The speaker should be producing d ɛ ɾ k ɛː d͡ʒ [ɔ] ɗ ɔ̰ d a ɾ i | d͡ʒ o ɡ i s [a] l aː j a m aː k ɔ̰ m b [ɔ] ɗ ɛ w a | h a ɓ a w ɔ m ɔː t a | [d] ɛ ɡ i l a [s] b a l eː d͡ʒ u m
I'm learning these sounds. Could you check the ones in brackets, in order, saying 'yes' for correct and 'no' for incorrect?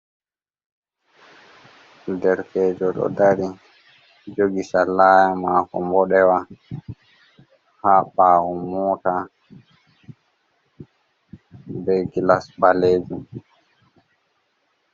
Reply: yes, yes, yes, no, yes

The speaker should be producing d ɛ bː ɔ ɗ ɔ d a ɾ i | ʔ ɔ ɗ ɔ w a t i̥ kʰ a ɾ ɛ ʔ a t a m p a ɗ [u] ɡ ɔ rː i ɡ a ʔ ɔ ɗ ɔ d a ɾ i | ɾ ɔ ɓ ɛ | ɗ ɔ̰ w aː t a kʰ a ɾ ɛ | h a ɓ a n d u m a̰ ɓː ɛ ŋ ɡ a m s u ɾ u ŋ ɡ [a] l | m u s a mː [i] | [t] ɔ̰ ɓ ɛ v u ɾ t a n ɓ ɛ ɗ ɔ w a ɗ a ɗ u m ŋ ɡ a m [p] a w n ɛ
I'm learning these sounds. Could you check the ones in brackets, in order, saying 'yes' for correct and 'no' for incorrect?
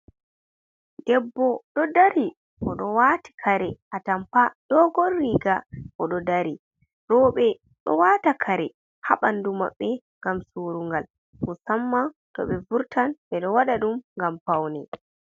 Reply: no, yes, no, yes, yes

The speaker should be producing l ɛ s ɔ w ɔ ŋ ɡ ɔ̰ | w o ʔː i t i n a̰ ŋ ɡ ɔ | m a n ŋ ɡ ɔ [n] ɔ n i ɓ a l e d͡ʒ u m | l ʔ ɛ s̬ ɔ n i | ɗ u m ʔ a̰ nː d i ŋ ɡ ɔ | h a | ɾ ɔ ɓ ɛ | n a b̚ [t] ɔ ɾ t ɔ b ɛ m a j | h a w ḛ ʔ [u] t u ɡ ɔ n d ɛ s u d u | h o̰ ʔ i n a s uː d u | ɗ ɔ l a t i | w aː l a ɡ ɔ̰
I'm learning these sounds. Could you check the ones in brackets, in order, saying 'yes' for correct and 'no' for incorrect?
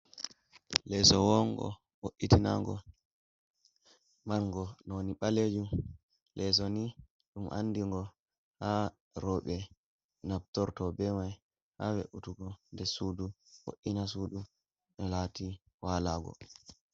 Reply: yes, yes, yes

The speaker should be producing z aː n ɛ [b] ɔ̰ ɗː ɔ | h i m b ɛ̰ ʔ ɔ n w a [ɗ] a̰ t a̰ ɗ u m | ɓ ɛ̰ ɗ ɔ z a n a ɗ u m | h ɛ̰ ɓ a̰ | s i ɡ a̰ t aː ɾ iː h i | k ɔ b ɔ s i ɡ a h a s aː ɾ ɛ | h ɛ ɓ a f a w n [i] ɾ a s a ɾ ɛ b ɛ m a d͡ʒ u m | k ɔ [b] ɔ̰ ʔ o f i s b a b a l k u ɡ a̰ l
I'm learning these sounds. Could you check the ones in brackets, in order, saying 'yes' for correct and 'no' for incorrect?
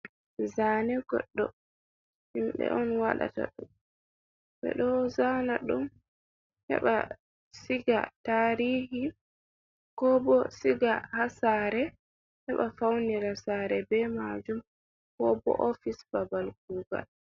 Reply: no, yes, yes, yes

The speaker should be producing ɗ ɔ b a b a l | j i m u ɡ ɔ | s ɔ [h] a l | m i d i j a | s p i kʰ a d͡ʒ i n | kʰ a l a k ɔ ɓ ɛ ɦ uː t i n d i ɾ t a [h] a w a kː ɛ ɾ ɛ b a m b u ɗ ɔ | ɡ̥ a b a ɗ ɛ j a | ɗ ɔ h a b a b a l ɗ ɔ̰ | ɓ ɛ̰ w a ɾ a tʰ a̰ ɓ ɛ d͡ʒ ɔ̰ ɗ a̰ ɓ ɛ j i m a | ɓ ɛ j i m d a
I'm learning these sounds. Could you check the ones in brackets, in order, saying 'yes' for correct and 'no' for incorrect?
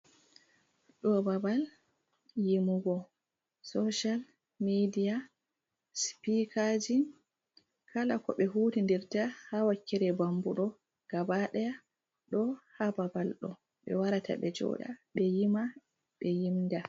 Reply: no, yes

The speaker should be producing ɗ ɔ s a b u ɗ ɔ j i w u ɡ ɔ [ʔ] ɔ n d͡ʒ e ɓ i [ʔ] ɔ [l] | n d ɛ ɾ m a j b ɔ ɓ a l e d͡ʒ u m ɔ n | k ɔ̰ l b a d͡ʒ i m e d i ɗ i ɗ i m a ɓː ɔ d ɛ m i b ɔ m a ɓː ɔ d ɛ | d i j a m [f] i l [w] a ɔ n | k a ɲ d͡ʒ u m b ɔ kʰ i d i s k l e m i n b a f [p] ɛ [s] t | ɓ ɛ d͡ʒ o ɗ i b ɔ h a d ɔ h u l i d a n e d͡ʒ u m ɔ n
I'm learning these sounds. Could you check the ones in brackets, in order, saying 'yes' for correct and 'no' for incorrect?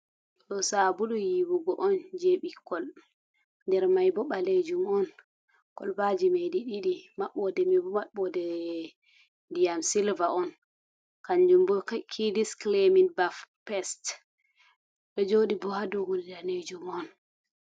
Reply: yes, no, yes, no, no, yes, yes

